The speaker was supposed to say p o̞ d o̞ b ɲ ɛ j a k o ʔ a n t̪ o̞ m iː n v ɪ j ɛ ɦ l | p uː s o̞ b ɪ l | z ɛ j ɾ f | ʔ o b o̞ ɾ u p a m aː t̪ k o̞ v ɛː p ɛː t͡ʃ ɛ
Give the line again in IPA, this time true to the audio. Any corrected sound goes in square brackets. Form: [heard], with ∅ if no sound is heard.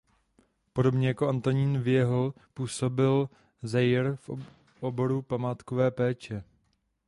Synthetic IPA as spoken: p o̞ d o̞ b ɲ ɛ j a k o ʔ a n t̪ o̞ [ɲ] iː n v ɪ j ɛ ɦ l | p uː s o̞ b ɪ l | z ɛ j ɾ f | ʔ o b o̞ ɾ u p a m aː t̪ k o̞ v ɛː p ɛː t͡ʃ ɛ